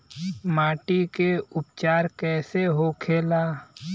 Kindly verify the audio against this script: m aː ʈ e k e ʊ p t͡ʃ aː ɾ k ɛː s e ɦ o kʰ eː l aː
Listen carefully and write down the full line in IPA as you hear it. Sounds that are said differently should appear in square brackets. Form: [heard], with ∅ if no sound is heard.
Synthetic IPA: m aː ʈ [i] k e ʊ p t͡ʃ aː ɾ k ɛː s e ɦ o kʰ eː l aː

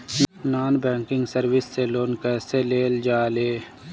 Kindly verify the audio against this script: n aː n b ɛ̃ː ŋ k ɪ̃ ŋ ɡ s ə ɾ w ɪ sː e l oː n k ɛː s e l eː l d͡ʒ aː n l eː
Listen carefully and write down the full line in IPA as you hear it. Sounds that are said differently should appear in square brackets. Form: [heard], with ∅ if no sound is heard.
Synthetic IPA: n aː n b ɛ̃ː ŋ k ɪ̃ ŋ ɡ s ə ɾ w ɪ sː e l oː n k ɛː s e l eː l d͡ʒ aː [∅] l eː

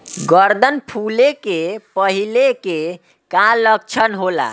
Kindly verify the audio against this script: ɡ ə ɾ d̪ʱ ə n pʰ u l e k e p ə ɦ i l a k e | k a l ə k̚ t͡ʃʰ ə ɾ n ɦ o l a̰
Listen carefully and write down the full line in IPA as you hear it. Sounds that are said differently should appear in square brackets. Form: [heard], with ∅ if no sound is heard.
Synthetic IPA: ɡ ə ɾ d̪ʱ ə n pʰ u l e k e p ə ɦ i l [e] k e | k a l ə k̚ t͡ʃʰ ə [∅] n ɦ o l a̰

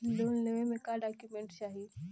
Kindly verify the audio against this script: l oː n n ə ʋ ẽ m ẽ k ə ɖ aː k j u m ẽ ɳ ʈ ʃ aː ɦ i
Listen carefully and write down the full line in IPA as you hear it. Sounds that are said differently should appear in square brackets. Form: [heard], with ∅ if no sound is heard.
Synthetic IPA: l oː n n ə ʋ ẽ m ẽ k [a] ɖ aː k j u m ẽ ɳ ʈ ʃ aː ɦ i

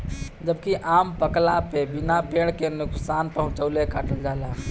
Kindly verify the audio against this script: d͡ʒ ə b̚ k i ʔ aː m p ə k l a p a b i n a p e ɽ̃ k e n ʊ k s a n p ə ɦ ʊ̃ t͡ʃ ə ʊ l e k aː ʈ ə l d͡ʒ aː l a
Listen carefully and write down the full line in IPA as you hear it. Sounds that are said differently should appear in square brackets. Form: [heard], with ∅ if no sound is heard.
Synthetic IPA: d͡ʒ ə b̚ k i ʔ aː m p ə k l a p [e] b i n a p e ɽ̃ k e n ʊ k s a n p ə ɦ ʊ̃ t͡ʃ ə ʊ l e k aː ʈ ə l d͡ʒ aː l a

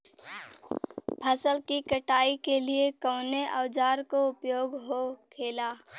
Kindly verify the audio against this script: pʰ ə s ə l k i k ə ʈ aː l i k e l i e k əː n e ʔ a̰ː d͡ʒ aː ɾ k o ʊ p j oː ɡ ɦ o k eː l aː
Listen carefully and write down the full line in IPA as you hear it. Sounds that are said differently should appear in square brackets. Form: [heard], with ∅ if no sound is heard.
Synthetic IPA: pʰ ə s ə l k i k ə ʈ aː [∅] i k e l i e k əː n e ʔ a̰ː d͡ʒ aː ɾ k o ʊ p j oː ɡ ɦ o [kʰ] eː l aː

